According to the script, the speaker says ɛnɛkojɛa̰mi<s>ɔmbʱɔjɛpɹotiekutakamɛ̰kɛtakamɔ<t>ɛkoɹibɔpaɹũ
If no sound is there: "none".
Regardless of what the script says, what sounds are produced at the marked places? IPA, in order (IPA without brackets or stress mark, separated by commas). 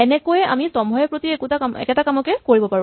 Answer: s, k